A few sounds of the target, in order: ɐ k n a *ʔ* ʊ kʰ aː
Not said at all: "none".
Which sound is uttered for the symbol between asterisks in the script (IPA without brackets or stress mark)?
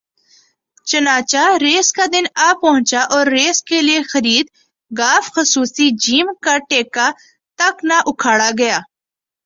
ʔ